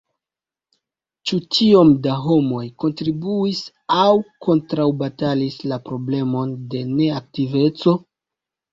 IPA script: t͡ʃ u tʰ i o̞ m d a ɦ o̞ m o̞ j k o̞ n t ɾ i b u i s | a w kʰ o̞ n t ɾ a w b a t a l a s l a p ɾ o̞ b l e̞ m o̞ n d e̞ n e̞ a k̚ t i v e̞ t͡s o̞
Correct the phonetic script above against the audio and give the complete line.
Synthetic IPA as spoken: t͡ʃ u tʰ i o̞ m d a ɦ o̞ m o̞ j k o̞ n t ɾ i b u i s | a w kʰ o̞ n t ɾ a w b a t a l i s l a p ɾ o̞ b l e̞ m o̞ n d e̞ n e̞ a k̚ t i v e̞ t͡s o̞